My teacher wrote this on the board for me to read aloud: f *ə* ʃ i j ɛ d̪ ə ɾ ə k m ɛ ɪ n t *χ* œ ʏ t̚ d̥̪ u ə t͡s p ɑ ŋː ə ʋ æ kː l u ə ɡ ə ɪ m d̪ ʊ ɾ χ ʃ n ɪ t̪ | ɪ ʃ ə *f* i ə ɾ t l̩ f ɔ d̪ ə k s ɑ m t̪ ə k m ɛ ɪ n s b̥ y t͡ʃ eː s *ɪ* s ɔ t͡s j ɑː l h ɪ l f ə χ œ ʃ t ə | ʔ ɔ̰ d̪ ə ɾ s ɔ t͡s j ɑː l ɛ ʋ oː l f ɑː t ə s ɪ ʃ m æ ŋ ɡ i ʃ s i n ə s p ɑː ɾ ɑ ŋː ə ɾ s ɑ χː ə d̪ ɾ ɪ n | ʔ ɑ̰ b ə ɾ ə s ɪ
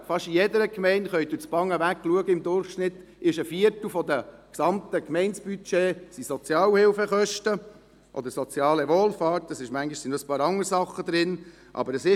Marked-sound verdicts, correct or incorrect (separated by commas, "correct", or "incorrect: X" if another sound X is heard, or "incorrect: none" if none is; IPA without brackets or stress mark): incorrect: ɑ, correct, correct, incorrect: i